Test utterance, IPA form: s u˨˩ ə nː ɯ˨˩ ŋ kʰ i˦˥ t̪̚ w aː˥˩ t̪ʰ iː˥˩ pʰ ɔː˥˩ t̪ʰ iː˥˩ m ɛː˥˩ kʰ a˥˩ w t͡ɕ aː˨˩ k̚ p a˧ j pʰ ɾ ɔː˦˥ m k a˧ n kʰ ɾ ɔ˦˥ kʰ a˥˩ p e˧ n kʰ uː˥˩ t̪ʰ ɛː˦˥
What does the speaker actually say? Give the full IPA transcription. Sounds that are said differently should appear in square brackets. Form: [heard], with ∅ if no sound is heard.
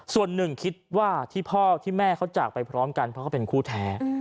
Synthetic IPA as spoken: s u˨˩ ə nː ɯ˨˩ ŋ kʰ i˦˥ t̪̚ w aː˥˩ t̪ʰ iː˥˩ pʰ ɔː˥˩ t̪ʰ iː˥˩ m ɛː˥˩ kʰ [a˦˥] w t͡ɕ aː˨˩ k̚ p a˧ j pʰ ɾ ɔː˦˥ m k a˧ n [pʰ] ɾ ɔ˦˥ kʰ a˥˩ p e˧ n kʰ uː˥˩ t̪ʰ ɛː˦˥